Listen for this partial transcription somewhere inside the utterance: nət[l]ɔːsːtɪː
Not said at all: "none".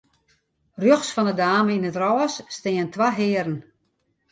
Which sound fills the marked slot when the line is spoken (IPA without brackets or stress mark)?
r